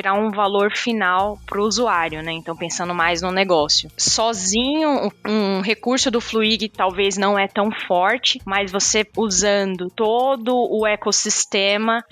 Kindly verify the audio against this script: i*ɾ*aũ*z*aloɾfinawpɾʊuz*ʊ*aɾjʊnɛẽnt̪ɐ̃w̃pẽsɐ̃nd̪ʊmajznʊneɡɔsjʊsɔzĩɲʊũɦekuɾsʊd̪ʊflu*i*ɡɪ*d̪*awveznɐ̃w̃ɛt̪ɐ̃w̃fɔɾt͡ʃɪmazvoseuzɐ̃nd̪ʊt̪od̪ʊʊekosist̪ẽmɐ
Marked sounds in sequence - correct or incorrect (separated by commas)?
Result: correct, incorrect, incorrect, correct, incorrect